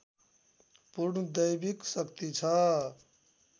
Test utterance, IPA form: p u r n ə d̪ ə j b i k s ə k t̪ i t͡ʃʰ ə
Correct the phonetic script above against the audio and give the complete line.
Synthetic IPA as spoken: p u ɾ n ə d̪ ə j b i k s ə k t̪ i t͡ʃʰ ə